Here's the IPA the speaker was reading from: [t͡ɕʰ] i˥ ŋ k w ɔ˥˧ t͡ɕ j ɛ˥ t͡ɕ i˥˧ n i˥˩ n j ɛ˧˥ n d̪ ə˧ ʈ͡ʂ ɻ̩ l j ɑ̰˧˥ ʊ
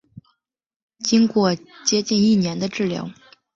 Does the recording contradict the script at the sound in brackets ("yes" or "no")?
yes